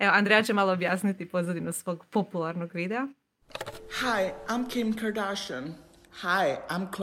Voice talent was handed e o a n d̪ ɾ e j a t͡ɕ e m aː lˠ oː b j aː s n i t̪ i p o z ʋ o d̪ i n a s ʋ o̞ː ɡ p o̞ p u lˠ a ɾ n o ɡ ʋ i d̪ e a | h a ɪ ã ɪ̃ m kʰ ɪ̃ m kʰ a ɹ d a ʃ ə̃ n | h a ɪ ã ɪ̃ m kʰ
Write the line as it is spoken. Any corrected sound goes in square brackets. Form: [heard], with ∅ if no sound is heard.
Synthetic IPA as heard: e o a n d̪ ɾ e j a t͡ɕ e m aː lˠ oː b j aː s n i t̪ i p o z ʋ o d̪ i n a s ʋ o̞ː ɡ p o̞ p u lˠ a ɾ n o ɡ ʋ i d̪ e a | h a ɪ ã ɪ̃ m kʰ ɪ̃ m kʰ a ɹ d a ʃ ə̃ n | h a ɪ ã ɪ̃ m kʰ